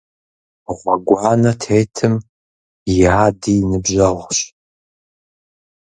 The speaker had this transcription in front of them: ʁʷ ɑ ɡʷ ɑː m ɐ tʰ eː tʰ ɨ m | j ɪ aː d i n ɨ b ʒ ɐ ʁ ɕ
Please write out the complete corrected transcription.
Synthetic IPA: ʁʷ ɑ ɡʷ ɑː n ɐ tʰ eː tʰ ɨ m | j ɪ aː d i n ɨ b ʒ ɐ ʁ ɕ